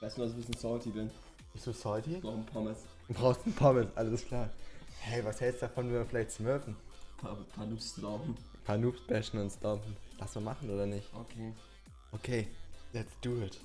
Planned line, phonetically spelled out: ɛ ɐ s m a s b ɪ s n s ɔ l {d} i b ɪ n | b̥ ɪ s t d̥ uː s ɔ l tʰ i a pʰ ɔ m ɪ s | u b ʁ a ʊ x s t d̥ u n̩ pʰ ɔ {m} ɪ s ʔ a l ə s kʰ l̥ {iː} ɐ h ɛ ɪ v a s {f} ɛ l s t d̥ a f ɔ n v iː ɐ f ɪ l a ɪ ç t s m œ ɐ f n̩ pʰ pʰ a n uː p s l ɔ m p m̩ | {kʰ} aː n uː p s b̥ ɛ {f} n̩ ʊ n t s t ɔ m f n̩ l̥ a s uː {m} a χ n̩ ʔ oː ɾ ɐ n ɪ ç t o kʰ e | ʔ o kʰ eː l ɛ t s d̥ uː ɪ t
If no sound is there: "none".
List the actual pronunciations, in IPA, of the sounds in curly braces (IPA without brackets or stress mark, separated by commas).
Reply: t, m, aː, h, pʰ, ʃ, m